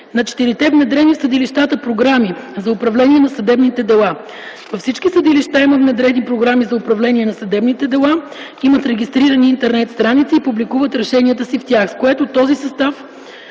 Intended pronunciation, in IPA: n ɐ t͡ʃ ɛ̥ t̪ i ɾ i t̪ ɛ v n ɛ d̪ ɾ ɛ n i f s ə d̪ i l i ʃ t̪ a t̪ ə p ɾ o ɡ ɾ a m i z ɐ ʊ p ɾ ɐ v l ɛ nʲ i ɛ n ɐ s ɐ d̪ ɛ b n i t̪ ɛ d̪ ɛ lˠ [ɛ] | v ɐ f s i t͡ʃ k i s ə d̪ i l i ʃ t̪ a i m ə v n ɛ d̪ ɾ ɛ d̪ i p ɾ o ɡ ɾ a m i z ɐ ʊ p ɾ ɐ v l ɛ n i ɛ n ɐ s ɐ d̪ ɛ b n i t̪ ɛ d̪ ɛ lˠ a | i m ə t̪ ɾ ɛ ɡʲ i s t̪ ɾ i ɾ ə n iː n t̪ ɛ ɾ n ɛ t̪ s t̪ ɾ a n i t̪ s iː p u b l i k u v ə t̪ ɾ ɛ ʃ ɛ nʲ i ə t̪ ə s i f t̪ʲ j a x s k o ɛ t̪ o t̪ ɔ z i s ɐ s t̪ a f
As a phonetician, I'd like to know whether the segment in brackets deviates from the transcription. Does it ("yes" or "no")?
yes